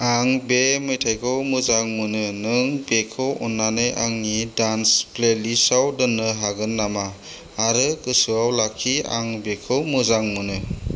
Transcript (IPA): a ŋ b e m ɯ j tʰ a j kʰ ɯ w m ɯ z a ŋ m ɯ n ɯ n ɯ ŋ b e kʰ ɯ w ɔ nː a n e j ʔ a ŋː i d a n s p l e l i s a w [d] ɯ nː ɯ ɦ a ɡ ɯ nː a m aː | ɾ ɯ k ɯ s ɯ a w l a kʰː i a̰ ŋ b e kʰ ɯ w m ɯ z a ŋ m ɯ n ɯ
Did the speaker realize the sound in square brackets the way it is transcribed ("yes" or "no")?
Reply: yes